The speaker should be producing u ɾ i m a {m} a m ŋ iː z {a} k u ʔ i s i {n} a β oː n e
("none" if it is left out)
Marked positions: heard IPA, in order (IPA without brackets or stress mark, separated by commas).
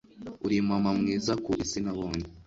m, a, n